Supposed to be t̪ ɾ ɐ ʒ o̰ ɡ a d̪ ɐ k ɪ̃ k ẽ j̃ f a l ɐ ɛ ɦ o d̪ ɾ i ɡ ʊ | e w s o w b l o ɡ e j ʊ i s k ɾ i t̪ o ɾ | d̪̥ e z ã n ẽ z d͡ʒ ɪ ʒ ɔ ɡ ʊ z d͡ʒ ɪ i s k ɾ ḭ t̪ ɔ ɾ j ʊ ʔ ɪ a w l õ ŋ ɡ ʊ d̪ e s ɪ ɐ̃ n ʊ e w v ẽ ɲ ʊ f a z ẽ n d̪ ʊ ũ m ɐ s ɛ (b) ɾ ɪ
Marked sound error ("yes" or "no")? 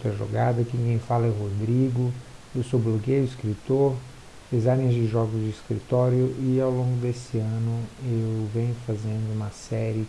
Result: yes